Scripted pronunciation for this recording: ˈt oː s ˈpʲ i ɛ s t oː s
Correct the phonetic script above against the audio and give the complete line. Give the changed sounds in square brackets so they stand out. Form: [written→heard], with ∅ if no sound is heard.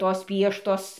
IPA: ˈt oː s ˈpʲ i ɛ [s→ʃ] t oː s